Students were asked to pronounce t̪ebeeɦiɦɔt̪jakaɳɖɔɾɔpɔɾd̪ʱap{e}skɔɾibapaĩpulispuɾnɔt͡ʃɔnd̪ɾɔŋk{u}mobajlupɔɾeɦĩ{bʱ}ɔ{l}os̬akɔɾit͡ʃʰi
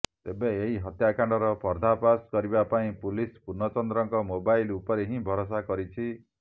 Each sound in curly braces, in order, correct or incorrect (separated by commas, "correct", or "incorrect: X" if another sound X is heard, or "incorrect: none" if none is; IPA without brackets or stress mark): incorrect: a, incorrect: ɔ, correct, incorrect: ɾ